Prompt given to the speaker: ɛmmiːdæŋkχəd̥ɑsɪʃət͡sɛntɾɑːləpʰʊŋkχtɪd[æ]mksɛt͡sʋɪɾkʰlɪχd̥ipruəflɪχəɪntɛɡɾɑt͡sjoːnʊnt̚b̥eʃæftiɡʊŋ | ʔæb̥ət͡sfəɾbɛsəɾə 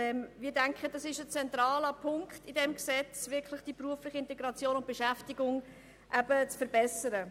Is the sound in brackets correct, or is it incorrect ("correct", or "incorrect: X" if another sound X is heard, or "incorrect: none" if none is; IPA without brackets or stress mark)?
incorrect: ɛ